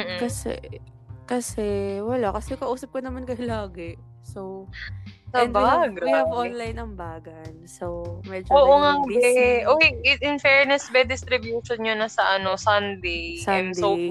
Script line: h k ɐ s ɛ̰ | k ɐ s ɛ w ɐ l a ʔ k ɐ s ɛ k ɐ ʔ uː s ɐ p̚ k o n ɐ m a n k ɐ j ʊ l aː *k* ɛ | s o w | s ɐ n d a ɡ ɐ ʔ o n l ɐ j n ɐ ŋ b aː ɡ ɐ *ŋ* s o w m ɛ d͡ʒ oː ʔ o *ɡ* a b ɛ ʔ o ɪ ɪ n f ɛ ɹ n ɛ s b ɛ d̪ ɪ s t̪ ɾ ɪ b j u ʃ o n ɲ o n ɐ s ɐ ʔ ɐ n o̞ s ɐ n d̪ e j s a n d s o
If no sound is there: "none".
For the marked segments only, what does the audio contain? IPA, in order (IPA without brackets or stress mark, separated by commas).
ɡ, n, ŋ